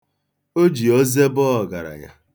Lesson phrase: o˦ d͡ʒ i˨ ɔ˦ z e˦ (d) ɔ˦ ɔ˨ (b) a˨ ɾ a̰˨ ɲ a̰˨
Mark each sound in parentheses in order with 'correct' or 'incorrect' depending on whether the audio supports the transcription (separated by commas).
incorrect, incorrect